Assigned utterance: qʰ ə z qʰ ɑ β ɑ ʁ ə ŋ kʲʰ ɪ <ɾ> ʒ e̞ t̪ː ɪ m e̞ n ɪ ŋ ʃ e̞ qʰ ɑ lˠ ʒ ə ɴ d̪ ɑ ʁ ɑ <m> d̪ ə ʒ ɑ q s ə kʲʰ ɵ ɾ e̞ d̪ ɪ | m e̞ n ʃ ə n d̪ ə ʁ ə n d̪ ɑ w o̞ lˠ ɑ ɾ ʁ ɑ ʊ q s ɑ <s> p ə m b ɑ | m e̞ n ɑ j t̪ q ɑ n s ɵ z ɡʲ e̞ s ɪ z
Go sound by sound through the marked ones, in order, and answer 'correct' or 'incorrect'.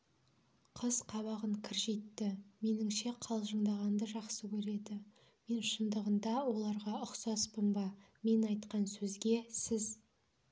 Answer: correct, incorrect: n, correct

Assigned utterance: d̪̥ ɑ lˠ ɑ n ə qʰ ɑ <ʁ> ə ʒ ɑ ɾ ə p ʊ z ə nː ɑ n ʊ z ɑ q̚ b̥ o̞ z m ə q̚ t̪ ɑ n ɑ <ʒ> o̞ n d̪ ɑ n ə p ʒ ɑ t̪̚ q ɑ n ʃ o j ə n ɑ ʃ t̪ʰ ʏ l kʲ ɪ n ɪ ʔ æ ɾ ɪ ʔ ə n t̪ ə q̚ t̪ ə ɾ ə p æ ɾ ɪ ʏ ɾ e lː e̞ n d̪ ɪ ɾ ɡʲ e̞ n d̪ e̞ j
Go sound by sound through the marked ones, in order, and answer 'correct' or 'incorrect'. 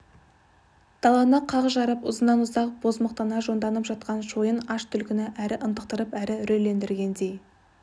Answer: correct, correct

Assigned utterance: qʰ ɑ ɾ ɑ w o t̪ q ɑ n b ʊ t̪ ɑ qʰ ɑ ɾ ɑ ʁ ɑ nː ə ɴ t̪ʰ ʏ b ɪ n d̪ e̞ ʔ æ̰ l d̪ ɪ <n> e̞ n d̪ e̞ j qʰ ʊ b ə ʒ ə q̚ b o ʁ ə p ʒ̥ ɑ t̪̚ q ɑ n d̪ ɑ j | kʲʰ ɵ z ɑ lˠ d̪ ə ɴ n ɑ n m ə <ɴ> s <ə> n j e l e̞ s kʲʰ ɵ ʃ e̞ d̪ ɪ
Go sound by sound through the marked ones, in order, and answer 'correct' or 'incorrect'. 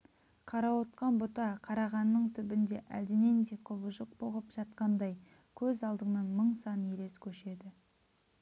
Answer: correct, correct, incorrect: ɑ

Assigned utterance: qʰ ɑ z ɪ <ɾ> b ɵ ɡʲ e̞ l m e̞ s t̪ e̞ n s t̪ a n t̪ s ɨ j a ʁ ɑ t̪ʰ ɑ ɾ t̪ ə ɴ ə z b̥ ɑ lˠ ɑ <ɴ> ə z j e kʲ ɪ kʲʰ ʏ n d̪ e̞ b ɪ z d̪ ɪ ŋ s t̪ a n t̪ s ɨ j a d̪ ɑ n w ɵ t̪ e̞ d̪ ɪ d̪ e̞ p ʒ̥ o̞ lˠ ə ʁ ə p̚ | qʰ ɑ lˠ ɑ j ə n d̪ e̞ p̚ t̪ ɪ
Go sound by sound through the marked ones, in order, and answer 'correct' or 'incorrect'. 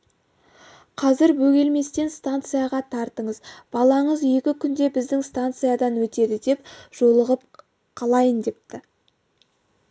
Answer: correct, correct

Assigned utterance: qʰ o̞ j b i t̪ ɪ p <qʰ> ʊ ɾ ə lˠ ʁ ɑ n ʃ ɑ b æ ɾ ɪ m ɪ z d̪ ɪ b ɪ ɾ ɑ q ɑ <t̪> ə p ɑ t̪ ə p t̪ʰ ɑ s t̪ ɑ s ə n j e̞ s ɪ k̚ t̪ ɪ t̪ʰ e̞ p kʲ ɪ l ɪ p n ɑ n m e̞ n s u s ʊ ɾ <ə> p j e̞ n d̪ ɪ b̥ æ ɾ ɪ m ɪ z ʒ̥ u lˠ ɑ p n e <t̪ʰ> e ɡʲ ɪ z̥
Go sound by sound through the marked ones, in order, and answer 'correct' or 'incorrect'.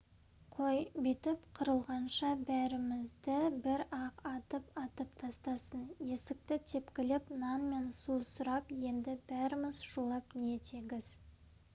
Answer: correct, correct, incorrect: ɑ, correct

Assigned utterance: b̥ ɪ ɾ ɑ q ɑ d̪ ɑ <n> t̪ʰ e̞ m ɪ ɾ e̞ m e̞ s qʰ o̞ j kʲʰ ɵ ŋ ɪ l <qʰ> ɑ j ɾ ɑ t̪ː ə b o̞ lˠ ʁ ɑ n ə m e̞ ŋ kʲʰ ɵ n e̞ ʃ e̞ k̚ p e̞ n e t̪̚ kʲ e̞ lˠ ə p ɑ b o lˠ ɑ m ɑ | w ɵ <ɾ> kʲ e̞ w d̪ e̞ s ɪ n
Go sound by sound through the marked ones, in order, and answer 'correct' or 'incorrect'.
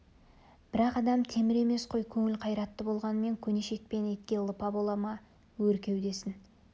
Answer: incorrect: m, correct, correct

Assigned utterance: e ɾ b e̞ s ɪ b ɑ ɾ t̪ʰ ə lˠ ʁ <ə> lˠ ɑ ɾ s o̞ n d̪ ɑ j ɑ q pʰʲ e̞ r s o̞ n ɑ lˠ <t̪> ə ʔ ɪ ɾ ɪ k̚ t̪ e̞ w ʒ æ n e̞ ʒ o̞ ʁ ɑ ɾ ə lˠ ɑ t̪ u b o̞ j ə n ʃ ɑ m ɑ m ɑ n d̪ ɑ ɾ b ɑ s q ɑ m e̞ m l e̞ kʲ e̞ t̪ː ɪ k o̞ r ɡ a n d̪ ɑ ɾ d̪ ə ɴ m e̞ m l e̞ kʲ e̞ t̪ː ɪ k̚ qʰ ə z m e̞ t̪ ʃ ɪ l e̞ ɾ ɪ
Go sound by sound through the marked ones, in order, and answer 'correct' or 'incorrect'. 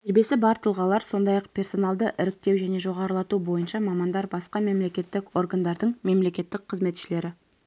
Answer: incorrect: ɑ, incorrect: d̪

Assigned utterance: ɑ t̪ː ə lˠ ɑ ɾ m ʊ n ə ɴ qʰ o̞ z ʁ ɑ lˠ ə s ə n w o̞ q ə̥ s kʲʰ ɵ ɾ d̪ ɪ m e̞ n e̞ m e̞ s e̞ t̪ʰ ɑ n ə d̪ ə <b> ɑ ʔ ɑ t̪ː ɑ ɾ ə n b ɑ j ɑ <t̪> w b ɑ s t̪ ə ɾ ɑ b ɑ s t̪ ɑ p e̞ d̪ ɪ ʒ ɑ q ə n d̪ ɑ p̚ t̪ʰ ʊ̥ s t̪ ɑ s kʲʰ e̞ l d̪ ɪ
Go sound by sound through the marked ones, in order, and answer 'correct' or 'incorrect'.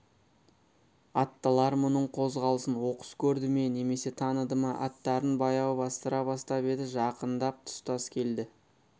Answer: incorrect: m, incorrect: none

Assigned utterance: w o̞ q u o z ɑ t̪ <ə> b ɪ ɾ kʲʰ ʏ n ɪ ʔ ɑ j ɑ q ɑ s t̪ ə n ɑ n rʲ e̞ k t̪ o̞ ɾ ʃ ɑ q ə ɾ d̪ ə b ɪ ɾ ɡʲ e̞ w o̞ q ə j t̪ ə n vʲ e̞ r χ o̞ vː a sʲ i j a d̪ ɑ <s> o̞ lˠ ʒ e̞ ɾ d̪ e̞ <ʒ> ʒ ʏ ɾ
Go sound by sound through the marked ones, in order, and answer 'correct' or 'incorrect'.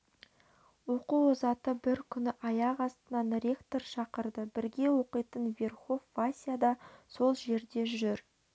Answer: correct, correct, correct

